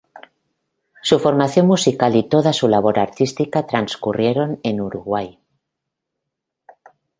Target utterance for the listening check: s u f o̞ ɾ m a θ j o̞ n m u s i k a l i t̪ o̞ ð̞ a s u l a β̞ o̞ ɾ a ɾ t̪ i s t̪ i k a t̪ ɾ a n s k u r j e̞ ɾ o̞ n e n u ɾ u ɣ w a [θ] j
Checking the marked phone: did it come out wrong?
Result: yes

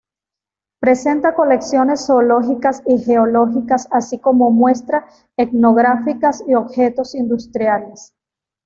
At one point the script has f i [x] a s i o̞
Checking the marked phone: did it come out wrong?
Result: yes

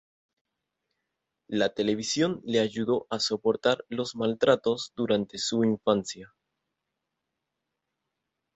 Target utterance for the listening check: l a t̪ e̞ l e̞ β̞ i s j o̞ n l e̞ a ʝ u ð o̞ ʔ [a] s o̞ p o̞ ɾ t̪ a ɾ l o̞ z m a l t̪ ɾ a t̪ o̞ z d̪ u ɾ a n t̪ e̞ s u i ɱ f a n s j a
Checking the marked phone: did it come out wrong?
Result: no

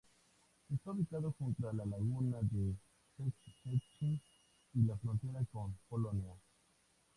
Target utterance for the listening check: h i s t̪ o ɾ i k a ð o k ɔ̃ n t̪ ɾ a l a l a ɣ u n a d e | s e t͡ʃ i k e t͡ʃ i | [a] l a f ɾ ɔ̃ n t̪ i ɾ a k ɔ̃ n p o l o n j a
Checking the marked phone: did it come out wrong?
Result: yes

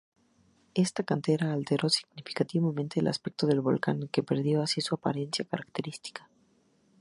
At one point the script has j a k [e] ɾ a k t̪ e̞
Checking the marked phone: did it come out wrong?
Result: yes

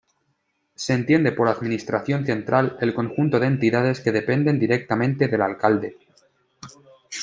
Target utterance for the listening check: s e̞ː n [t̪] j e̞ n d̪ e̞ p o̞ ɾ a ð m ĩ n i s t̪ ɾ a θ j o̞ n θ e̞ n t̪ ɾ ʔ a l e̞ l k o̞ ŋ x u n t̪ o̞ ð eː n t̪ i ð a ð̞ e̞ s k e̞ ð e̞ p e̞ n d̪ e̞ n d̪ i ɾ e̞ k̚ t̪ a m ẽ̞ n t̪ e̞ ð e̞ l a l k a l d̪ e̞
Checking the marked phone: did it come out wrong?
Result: no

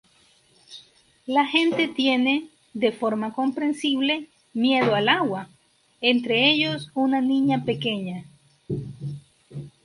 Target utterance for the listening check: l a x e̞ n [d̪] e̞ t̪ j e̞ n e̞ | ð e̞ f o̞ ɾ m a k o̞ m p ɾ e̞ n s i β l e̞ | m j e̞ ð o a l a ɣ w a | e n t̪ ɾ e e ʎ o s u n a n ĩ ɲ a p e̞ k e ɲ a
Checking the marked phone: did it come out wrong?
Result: yes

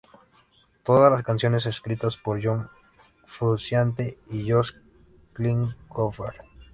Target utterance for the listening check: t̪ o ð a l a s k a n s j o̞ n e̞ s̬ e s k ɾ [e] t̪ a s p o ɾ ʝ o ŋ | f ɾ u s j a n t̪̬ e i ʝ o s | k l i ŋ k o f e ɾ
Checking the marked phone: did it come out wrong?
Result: yes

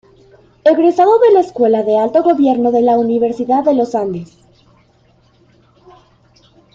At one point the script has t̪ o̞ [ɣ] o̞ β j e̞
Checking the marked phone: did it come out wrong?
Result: no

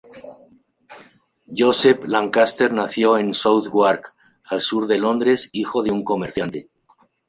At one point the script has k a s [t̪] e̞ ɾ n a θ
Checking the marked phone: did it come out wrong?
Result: no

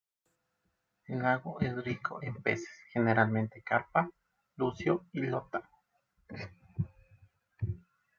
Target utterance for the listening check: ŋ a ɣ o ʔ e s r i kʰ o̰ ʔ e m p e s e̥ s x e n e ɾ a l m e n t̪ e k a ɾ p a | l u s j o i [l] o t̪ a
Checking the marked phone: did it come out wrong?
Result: no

